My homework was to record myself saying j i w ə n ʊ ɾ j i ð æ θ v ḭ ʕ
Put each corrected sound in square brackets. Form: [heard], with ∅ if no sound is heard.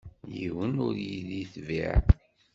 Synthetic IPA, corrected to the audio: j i w ə n ʊ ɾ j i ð [i] θ v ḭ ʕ